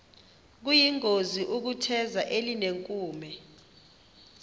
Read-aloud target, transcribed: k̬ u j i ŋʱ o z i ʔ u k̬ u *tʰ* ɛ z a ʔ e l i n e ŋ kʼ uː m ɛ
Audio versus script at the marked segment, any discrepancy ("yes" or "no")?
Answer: no